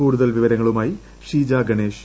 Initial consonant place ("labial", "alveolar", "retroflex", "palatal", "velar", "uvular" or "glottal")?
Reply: retroflex